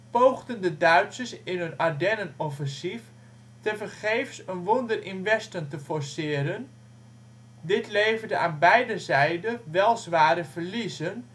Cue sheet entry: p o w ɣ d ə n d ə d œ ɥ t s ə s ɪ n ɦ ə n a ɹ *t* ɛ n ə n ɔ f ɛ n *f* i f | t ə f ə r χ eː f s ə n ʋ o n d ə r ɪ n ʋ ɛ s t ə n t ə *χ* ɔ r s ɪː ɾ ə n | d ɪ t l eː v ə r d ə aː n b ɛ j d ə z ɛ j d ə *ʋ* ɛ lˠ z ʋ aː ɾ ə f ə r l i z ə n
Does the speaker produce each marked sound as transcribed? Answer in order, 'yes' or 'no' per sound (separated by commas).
no, no, no, yes